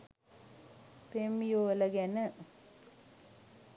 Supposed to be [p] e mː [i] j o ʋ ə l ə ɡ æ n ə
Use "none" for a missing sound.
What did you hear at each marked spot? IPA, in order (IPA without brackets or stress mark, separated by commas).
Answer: p, i